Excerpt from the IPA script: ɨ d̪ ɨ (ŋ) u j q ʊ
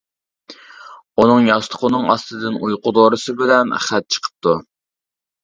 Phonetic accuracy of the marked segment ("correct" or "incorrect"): incorrect